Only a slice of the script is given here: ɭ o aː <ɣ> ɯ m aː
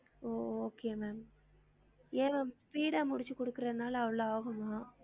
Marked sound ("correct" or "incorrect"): correct